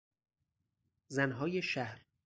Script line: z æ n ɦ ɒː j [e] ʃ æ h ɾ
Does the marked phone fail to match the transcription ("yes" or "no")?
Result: no